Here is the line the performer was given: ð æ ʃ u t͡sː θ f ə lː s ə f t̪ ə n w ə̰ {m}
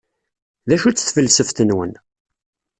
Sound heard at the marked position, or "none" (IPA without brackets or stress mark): n